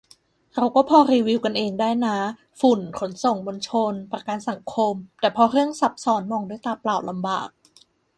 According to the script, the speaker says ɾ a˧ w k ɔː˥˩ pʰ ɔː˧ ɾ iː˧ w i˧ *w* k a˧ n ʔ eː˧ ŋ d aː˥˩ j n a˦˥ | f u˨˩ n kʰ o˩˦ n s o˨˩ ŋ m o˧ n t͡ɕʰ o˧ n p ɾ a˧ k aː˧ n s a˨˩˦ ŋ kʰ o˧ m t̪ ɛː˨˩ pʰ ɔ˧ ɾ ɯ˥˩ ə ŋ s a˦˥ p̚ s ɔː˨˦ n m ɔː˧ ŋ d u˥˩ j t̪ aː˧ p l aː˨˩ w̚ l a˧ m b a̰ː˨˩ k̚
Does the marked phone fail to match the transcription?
no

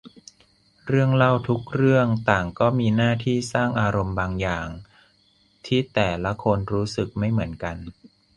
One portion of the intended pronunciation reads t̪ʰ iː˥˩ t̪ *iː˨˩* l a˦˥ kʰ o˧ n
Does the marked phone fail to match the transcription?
yes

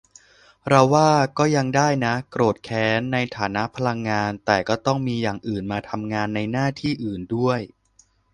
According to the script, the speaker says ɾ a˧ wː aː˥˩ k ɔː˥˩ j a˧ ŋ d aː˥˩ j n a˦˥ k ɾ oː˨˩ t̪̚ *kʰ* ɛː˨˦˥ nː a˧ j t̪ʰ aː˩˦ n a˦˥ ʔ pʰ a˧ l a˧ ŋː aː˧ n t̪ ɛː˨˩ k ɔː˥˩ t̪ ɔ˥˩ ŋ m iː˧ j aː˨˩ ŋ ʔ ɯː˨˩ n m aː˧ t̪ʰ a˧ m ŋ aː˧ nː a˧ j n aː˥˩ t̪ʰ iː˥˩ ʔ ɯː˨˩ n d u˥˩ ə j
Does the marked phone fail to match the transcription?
no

